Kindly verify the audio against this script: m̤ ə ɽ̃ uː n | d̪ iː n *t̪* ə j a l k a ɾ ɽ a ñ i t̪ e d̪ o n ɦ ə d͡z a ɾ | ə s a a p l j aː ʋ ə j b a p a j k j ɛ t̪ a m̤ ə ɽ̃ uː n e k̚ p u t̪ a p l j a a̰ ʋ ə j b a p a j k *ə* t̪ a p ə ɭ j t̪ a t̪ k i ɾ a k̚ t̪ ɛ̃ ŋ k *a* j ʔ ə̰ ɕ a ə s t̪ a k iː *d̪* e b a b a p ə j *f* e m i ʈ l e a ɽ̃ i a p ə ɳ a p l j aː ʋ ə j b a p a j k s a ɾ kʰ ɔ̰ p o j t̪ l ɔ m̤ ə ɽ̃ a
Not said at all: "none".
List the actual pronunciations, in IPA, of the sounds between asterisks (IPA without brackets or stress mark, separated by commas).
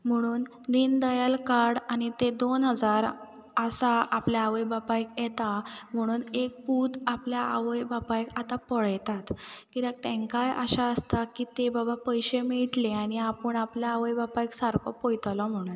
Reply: d̪, a, a, t̪, ɕ